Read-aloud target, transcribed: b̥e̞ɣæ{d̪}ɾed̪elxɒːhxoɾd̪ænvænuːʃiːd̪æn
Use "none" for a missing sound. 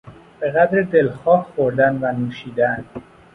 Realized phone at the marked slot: d̪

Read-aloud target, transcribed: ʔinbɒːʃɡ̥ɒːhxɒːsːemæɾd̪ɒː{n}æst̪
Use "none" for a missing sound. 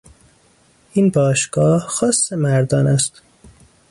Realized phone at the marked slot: n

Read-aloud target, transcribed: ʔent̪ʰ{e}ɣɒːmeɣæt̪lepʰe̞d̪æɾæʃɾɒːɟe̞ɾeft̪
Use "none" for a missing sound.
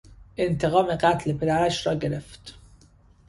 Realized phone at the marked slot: e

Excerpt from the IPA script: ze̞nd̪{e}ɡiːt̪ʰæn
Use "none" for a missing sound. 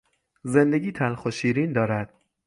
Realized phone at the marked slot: e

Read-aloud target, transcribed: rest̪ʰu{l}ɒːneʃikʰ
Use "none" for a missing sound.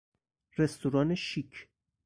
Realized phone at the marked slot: ɾ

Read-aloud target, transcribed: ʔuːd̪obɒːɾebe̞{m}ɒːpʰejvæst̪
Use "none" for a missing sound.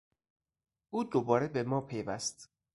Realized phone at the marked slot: m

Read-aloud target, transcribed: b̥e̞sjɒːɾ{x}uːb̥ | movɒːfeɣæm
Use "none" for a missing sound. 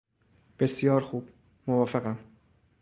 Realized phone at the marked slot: x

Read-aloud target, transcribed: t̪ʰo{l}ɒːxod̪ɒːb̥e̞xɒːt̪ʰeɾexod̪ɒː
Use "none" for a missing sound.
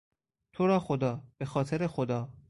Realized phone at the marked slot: ɾ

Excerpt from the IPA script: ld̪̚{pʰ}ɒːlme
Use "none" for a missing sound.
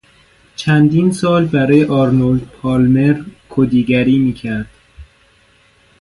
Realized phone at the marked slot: pʰ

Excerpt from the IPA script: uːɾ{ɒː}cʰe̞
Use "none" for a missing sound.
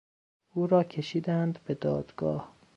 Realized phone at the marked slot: ɒː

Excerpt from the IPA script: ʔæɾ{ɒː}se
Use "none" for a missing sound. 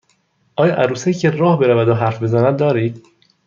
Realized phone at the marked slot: uː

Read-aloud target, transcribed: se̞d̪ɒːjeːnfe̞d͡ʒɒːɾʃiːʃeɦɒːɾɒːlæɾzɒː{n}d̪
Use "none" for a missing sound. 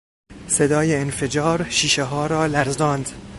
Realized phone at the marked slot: n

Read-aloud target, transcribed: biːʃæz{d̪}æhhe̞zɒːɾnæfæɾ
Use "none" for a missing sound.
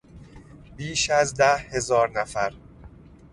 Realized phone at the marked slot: d̪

